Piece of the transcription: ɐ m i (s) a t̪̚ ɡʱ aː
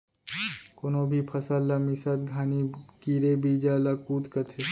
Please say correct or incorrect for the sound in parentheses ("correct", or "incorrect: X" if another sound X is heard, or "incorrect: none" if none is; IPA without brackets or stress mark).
correct